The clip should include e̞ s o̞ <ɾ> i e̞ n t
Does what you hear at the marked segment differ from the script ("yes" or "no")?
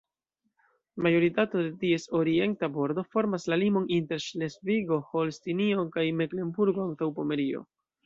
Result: no